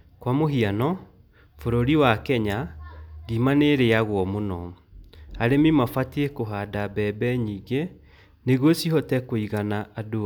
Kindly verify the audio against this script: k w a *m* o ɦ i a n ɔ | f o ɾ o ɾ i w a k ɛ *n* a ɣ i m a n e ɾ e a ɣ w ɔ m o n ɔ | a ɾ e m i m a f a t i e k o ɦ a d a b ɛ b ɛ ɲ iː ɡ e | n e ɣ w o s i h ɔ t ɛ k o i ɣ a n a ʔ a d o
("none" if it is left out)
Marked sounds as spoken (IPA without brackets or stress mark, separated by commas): m, ɲ